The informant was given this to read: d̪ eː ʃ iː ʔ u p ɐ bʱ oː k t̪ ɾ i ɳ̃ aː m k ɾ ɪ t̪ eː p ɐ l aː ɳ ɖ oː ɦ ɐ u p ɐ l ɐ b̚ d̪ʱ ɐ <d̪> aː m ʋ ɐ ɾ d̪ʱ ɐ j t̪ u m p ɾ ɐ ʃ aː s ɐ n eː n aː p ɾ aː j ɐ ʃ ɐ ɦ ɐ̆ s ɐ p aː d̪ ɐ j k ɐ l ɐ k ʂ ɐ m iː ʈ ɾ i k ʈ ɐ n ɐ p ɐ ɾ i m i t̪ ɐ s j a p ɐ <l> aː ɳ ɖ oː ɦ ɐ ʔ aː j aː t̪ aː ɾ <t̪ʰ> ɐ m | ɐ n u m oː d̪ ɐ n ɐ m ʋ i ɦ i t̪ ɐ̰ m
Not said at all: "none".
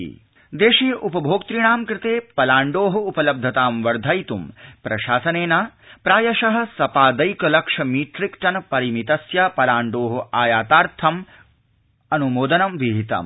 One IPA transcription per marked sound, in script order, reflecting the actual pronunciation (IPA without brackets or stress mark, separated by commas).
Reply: t̪, l, t̪ʰ